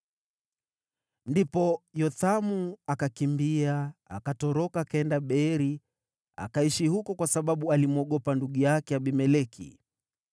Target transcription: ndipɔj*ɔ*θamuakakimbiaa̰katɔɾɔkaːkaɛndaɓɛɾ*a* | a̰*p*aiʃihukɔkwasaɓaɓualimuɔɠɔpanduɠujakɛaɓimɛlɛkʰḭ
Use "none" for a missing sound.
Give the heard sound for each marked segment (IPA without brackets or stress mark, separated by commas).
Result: ɔ, i, k